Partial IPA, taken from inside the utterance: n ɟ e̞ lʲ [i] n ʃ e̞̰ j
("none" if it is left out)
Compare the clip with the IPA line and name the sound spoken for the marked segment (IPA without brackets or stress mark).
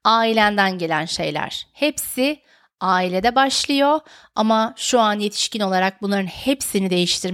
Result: æ